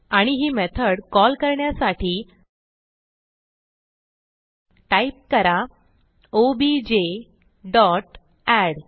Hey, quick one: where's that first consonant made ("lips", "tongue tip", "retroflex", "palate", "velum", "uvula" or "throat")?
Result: retroflex